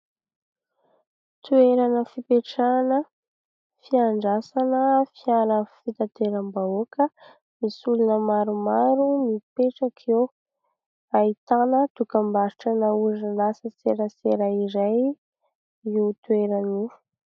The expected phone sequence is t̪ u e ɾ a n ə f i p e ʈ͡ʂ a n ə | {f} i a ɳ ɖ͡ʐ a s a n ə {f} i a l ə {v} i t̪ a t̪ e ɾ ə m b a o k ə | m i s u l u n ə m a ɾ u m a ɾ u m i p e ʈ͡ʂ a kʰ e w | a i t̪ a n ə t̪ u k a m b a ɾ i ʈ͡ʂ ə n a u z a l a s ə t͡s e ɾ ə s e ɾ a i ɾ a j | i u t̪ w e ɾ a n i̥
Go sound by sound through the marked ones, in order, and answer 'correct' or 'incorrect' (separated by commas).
correct, correct, incorrect